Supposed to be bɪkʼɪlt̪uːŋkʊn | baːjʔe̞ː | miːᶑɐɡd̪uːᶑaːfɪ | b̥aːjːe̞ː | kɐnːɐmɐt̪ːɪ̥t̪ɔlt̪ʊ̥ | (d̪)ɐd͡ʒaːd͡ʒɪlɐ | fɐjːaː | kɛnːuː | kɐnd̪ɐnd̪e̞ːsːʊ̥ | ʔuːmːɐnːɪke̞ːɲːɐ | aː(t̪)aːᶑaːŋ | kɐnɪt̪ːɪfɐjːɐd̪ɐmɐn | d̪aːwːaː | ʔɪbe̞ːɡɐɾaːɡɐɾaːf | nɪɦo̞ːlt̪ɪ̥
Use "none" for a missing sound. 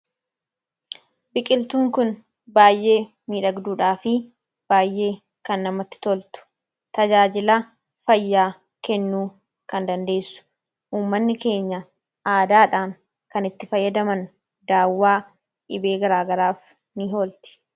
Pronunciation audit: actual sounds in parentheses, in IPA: t̪, d̪

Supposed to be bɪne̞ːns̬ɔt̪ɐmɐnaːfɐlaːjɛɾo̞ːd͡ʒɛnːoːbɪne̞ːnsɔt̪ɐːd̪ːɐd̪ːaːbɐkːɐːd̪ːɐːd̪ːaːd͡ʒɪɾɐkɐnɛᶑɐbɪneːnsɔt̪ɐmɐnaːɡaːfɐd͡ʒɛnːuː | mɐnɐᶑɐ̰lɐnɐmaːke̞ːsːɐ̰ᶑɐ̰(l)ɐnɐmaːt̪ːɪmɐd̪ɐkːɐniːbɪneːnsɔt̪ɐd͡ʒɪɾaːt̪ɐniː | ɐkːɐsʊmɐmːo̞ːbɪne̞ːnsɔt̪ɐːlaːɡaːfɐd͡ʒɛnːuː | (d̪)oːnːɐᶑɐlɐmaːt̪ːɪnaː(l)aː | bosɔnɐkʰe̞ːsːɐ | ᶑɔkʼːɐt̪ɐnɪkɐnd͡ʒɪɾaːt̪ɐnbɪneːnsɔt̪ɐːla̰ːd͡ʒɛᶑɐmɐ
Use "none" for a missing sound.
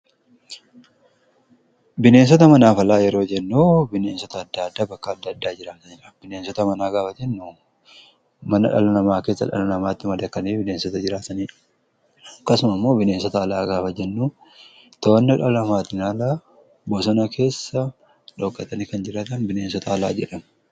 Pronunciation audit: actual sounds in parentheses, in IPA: l, t̪, l

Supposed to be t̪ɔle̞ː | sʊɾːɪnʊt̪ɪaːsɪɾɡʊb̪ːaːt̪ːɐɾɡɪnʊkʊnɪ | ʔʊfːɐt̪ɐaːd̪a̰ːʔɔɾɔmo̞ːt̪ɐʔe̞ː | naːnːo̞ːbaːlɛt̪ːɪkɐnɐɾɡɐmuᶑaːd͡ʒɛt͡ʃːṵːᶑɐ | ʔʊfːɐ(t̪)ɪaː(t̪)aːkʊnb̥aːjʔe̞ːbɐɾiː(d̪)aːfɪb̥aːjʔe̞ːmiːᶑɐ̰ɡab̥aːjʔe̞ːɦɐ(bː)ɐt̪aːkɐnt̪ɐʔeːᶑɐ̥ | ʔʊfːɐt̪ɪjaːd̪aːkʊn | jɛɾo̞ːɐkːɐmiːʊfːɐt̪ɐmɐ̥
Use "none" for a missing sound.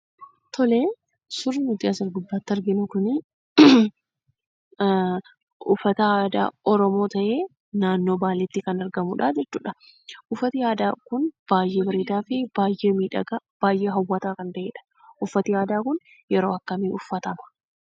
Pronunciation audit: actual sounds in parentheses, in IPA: t̪, d̪, d̪, wː

